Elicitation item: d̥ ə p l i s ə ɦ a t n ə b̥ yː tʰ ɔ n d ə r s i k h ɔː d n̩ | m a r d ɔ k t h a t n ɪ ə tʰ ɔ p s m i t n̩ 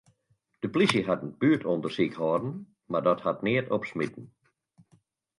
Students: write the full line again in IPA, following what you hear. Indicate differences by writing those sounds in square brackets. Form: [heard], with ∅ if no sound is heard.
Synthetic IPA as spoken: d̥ ə p l i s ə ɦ a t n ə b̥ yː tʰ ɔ n d ə r s i k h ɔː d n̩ | m a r d ɔ [∅] t h a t n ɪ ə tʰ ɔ p s m i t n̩